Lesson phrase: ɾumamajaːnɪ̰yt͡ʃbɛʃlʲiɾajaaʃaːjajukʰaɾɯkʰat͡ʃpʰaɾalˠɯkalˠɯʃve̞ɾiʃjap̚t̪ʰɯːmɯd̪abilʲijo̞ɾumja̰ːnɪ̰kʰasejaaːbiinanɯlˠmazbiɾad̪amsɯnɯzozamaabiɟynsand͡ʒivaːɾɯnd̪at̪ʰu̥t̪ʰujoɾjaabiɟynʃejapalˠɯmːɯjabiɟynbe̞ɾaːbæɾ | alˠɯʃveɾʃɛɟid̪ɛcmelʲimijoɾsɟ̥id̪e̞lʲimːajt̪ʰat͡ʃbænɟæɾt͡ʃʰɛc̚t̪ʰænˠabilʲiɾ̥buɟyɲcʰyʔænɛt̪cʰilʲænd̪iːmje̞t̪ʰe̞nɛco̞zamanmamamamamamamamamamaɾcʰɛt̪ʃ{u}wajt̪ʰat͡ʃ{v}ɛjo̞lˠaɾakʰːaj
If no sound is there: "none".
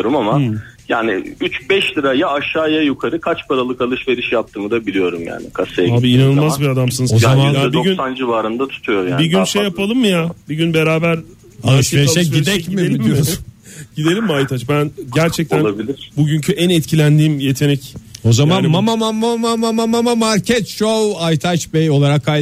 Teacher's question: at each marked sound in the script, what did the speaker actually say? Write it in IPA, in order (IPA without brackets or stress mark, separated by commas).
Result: o, b